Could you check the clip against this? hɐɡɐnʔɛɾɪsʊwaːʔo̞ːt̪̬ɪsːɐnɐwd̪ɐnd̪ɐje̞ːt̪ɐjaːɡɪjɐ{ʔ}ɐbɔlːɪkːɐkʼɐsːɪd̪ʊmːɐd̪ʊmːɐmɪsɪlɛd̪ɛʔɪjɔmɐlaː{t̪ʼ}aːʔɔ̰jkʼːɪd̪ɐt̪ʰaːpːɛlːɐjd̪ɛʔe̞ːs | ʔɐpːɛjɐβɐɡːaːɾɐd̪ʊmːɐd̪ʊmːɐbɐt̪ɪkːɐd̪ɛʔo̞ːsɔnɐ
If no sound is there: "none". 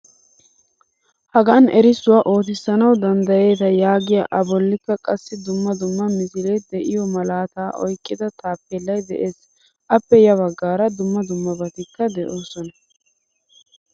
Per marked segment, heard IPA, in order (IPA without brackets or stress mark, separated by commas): ʔ, t̪